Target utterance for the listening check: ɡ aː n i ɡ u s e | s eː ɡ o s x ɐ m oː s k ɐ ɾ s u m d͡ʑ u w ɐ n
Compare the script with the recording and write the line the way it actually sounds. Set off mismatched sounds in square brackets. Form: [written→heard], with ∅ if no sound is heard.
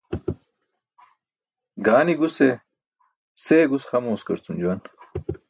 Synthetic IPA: ɡ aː n i ɡ u s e | s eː ɡ [o→u] s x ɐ m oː s k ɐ ɾ [s→t͡s] u m d͡ʑ u w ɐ n